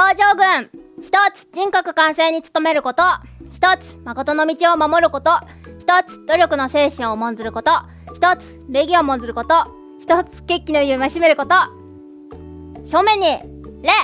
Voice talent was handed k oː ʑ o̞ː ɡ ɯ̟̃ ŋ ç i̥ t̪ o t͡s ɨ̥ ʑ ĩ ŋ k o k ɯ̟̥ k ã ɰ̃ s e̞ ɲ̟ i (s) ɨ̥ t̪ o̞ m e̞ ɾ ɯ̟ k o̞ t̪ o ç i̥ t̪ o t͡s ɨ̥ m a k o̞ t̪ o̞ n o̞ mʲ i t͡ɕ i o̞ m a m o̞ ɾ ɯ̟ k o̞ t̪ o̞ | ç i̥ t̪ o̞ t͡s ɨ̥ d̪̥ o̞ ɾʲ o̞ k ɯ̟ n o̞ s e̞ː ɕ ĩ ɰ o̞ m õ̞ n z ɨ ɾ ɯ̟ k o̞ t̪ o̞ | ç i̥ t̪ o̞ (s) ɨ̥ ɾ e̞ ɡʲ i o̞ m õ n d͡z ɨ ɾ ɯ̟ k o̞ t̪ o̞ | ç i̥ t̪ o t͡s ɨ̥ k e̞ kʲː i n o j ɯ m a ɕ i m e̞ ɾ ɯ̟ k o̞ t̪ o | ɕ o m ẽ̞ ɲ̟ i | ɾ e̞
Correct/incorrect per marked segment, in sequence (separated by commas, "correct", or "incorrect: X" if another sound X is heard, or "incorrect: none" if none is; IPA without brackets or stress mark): incorrect: t͡s, incorrect: t͡s